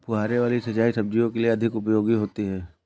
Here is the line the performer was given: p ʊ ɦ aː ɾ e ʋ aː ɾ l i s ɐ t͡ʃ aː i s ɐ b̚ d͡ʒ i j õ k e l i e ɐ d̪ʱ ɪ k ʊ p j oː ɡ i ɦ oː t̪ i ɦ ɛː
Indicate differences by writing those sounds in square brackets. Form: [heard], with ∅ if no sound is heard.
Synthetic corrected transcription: p ʊ ɦ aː ɾ e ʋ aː [∅] l i s ɐ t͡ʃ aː i s ɐ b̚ d͡ʒ i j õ k e l i e ɐ d̪ʱ ɪ k ʊ p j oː ɡ i ɦ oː t̪ i ɦ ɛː